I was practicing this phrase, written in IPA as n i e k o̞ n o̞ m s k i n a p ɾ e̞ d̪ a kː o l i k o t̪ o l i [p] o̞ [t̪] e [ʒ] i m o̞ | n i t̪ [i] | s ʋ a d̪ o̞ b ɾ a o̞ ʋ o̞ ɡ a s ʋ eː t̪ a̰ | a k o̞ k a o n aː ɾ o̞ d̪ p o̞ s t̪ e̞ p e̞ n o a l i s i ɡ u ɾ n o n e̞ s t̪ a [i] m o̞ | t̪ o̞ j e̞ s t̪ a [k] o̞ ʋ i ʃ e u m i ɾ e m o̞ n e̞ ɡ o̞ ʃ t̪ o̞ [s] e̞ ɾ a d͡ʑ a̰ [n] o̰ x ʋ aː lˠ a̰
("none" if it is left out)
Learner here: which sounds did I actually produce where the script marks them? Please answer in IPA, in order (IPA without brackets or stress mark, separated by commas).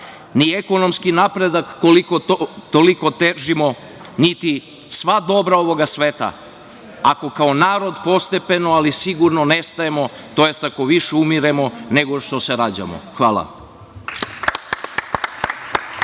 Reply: k, t̪, ʒ, i, e, k, s, m